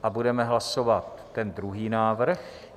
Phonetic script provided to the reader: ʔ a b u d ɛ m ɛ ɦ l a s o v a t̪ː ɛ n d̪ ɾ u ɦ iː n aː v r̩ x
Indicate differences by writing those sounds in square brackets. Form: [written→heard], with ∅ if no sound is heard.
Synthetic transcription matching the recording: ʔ a b u d ɛ m ɛ ɦ l a s o v a t̪ː ɛ n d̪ ɾ u ɦ iː n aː v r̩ x